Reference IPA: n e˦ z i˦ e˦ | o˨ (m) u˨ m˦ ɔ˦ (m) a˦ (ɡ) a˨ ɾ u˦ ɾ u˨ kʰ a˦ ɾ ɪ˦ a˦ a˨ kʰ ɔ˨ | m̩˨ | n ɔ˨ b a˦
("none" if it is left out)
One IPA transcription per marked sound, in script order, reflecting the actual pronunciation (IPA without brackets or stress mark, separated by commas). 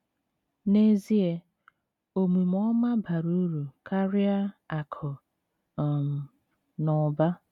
m, m, b